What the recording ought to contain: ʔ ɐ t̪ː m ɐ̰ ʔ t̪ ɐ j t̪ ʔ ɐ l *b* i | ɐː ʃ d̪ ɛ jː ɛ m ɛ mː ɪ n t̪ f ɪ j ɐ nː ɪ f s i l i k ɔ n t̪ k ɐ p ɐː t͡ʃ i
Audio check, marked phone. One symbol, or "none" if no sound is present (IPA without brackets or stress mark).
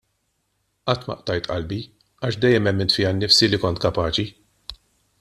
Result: b